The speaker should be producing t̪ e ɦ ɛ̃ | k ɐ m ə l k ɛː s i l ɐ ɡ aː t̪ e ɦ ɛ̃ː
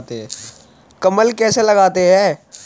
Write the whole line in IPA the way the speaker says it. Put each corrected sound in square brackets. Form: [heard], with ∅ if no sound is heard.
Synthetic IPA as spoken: t̪ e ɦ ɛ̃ | k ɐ m ə l k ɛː s [e] l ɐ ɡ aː t̪ e ɦ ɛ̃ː